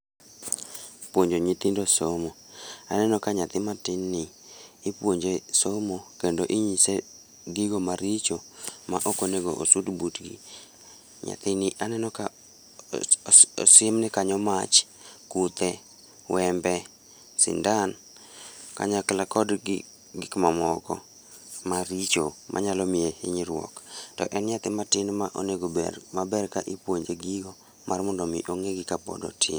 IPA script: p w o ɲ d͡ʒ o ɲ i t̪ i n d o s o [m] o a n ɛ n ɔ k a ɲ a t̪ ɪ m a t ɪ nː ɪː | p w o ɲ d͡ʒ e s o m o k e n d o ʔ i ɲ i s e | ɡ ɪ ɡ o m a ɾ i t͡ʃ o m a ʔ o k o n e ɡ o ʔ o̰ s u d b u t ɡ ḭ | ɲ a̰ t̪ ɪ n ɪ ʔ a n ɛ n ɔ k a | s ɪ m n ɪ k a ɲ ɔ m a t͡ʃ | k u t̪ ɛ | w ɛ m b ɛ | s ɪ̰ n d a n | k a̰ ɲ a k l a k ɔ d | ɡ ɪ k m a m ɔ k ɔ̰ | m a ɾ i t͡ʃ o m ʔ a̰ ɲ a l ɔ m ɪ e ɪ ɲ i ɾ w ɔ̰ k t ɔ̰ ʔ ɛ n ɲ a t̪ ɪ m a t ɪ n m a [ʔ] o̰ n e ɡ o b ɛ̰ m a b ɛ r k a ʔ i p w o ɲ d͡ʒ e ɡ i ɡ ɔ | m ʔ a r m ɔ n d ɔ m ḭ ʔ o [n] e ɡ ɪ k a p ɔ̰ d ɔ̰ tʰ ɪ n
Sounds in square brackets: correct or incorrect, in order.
correct, correct, incorrect: ŋ

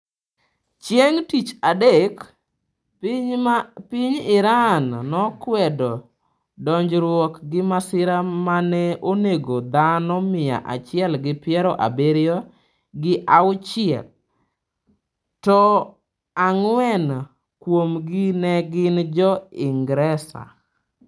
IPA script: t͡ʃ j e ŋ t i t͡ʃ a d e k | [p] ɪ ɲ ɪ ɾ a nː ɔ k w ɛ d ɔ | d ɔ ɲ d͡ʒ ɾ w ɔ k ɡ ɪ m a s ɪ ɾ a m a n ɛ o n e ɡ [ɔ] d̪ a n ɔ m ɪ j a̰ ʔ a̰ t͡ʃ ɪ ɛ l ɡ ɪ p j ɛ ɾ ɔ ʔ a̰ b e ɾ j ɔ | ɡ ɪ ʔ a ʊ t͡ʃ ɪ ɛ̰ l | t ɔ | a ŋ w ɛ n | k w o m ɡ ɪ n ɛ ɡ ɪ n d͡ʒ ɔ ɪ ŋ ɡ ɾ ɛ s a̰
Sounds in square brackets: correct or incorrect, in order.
correct, incorrect: o

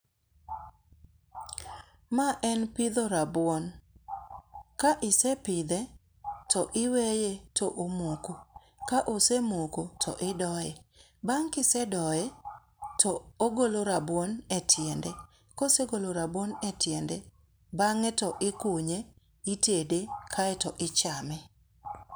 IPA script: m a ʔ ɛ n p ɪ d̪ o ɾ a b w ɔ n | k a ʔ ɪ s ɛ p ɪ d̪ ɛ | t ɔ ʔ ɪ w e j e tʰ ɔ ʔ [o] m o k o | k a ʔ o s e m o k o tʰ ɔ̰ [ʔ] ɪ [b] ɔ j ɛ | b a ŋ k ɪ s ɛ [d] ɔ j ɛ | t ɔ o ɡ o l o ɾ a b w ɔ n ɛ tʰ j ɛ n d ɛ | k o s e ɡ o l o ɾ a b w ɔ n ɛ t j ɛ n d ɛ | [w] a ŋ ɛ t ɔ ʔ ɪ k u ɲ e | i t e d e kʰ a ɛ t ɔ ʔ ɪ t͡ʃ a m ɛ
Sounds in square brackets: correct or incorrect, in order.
correct, correct, incorrect: d, correct, incorrect: b

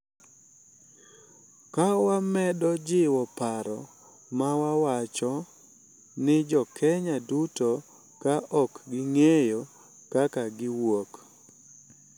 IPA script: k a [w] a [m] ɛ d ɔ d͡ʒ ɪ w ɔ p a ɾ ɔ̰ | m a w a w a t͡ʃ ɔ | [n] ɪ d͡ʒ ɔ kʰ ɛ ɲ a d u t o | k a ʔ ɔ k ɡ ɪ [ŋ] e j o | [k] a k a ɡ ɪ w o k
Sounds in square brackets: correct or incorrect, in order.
correct, correct, correct, correct, correct

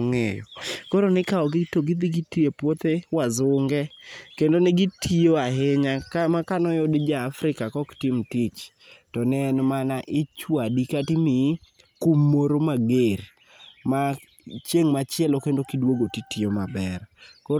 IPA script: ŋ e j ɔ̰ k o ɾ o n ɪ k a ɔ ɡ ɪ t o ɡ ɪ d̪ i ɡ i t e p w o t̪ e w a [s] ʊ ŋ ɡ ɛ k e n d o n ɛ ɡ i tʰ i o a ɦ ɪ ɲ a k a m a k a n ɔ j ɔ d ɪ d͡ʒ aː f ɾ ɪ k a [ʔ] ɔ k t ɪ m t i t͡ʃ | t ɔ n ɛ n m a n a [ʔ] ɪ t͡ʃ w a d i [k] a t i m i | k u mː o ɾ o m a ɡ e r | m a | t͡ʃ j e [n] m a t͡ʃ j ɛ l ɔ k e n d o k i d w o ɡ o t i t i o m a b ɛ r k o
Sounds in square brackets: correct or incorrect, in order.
incorrect: z, incorrect: k, correct, correct, incorrect: ŋ

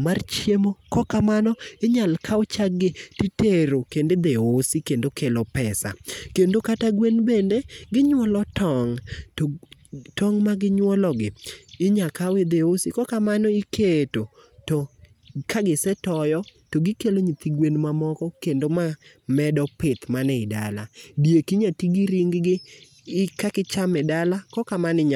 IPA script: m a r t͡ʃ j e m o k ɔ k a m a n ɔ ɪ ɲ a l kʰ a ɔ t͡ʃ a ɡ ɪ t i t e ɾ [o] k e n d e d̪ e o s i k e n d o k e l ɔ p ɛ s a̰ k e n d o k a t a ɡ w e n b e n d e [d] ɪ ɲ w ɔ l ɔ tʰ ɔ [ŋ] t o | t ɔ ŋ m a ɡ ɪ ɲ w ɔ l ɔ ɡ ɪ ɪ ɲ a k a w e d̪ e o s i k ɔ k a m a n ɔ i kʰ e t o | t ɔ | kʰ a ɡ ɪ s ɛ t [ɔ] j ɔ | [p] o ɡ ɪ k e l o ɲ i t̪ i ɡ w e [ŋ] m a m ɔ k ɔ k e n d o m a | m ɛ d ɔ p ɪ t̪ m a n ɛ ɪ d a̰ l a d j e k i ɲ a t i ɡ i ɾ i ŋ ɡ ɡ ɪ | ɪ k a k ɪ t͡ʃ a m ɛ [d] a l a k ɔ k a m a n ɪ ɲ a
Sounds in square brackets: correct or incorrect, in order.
correct, incorrect: ɡ, correct, correct, incorrect: t, incorrect: n, correct

